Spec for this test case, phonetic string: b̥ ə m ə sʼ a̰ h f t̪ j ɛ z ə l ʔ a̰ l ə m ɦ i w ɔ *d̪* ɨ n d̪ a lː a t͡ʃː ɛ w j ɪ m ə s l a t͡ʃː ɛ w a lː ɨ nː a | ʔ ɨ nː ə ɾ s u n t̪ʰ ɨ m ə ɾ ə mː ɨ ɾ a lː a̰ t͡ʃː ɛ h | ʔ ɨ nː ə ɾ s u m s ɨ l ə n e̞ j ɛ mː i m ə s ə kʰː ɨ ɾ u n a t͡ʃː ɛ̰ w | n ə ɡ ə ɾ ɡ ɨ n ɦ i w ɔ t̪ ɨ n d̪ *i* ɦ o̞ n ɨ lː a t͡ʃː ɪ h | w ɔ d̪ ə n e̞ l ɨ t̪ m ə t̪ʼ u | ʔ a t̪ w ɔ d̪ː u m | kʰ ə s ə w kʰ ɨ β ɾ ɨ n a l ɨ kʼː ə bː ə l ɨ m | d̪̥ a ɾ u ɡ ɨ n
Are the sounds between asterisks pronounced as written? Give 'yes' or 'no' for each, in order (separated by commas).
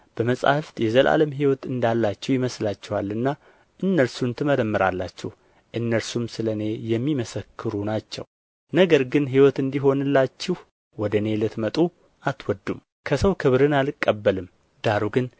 no, yes